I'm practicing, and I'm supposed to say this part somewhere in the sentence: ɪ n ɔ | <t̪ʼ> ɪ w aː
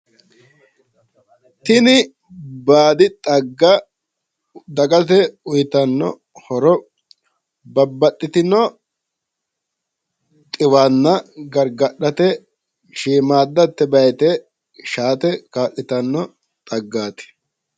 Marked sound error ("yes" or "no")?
no